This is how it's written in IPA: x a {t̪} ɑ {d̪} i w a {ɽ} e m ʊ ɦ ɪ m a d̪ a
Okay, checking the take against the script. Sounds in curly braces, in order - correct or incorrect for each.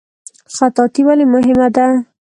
correct, incorrect, incorrect

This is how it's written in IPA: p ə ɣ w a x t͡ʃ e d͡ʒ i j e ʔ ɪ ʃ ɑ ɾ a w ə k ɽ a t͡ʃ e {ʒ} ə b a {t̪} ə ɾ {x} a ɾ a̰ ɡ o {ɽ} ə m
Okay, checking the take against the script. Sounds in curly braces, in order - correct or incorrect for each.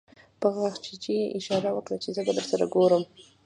incorrect, incorrect, incorrect, incorrect

